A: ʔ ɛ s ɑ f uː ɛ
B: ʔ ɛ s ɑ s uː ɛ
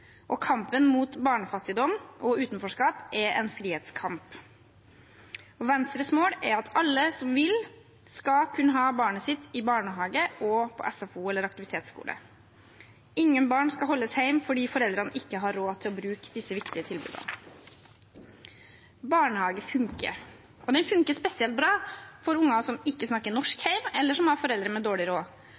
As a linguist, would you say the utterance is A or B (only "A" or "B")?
A